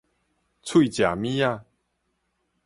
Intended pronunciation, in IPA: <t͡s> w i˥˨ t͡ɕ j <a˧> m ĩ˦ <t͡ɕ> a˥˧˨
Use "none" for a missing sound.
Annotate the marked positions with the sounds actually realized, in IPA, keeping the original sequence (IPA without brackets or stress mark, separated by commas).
t͡sʰ, a˨˩, none